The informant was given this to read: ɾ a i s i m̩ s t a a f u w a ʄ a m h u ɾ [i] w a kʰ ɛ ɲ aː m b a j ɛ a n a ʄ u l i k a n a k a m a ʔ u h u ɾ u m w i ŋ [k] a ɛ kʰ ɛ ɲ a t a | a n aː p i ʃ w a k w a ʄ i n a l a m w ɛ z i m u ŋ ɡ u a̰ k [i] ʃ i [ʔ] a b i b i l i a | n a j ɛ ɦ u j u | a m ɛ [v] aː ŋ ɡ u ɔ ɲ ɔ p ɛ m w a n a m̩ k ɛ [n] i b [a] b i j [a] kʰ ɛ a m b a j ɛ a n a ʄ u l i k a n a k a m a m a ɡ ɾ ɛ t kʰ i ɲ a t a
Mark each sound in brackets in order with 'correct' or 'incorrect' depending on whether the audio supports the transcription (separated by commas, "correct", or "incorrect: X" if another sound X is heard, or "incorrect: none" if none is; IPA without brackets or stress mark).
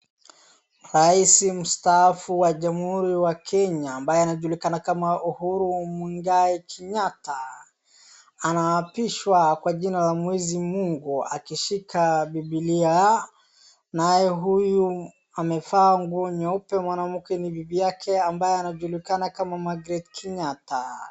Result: correct, incorrect: ɡ, correct, incorrect: k, incorrect: f, correct, incorrect: i, correct